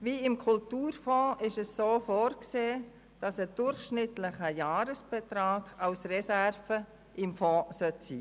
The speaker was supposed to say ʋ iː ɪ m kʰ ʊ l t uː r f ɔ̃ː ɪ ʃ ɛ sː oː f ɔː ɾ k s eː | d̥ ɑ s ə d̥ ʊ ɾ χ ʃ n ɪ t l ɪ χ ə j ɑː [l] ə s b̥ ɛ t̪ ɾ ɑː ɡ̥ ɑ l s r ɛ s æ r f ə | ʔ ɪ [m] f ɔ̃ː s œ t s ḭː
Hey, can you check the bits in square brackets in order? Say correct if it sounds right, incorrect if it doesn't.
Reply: incorrect: ɾ, correct

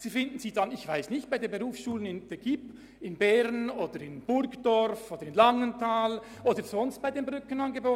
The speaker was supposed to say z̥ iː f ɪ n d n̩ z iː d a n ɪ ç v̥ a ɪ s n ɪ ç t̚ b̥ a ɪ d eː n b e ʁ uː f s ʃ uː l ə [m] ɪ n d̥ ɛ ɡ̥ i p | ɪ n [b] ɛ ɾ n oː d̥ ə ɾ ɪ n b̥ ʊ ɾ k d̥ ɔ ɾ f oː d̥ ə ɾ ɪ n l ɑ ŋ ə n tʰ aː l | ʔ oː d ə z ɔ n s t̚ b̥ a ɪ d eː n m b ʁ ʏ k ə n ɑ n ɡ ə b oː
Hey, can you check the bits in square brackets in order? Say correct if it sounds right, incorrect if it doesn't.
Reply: incorrect: n, correct

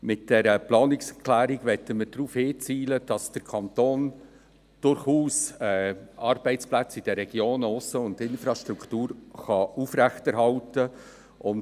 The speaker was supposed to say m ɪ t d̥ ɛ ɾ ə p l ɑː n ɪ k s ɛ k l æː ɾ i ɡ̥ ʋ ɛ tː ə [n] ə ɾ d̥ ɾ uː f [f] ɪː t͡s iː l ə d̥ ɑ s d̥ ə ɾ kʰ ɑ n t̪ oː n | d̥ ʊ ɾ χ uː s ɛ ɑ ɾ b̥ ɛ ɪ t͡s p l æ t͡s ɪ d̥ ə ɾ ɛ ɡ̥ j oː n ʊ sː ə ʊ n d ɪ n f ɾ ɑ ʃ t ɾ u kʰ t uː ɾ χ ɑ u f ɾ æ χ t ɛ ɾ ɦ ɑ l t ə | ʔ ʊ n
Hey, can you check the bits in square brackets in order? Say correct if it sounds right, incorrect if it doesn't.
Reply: incorrect: m, incorrect: h

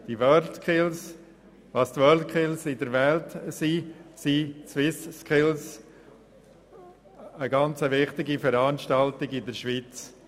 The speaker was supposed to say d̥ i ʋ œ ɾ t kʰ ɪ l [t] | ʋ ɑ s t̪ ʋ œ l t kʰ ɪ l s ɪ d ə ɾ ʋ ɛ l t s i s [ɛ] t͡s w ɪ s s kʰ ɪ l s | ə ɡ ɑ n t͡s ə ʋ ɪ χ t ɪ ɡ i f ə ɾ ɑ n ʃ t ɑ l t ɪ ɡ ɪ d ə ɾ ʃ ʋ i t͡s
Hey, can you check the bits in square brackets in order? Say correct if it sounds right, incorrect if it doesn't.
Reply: incorrect: s, incorrect: i

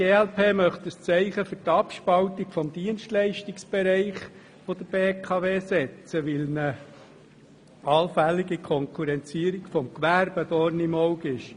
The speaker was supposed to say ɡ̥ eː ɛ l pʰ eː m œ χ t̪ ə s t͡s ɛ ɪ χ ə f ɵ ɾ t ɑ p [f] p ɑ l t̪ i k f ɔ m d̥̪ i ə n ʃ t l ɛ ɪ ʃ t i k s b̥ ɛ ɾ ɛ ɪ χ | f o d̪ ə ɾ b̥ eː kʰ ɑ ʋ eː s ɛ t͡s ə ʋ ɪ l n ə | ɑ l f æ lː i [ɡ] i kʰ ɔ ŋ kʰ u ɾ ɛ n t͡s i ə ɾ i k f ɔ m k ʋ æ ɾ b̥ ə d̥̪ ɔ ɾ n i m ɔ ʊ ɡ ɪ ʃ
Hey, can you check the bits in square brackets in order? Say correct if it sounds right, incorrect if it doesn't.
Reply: incorrect: ʃ, correct

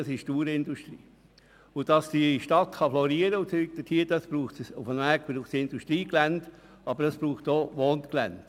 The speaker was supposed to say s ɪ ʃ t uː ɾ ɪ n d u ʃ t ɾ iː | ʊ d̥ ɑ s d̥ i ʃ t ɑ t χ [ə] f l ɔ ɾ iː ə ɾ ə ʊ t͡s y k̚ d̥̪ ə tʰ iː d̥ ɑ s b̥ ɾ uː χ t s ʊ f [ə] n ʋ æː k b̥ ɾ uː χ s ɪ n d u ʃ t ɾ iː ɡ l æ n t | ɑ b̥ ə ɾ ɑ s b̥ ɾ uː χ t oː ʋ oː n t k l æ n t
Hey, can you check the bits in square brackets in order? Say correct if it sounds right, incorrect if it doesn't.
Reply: incorrect: ɑ, correct

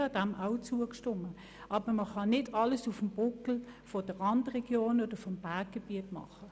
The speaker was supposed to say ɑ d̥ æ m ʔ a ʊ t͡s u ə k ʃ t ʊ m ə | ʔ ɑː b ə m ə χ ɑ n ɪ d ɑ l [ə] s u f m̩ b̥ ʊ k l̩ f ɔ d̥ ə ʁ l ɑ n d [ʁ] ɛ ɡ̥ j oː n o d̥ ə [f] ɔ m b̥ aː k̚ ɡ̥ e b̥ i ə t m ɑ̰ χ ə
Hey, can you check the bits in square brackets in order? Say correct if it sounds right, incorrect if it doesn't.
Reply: correct, correct, correct

